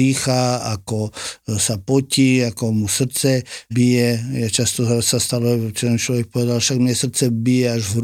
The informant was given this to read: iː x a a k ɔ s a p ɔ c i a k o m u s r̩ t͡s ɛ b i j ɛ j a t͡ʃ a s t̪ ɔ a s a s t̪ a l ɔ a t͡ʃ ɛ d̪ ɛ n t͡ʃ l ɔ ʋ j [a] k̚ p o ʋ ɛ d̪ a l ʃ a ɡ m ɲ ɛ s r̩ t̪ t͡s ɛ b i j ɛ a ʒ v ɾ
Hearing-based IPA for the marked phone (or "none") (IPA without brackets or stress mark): ɛ